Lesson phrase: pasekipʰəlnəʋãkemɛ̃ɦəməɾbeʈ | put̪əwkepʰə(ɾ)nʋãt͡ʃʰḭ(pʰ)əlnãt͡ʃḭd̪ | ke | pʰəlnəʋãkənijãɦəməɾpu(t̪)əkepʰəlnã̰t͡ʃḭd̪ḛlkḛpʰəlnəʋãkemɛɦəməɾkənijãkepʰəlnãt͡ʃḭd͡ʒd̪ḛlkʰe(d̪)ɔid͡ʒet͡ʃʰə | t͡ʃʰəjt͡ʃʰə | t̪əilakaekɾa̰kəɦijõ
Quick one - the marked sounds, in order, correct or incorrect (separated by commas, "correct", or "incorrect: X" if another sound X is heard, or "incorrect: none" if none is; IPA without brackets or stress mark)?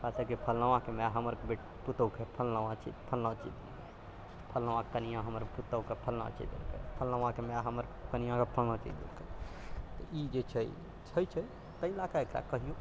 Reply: incorrect: l, correct, correct, incorrect: t̪